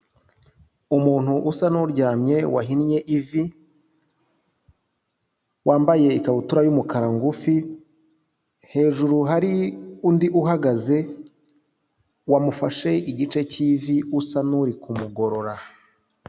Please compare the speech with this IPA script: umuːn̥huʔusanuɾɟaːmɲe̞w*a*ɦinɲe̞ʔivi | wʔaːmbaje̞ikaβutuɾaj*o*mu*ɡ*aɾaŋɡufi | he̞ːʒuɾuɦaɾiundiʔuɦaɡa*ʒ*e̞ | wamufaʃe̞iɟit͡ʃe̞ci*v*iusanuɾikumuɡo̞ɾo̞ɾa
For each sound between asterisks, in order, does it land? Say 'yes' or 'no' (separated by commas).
yes, no, no, no, yes